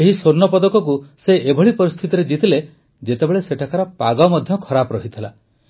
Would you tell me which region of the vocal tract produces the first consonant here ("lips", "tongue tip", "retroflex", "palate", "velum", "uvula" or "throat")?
throat